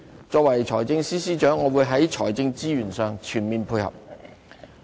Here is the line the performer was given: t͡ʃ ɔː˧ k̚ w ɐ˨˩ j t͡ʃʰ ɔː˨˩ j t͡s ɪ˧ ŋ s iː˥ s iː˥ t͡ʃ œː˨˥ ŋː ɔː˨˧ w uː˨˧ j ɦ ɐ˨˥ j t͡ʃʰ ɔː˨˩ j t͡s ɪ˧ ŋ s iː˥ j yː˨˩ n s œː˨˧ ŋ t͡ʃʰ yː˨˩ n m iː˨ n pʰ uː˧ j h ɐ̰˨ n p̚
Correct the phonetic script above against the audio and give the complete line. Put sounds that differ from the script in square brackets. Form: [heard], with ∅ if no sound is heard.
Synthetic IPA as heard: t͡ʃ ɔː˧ k̚ w ɐ˨˩ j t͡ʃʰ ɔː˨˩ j t͡s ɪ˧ ŋ s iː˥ s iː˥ t͡ʃ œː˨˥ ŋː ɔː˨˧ w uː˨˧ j ɦ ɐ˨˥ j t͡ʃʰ ɔː˨˩ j t͡s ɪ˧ ŋ [t͡s] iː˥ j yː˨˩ n s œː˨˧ ŋ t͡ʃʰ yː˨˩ n m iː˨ n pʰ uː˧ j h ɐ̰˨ [∅] p̚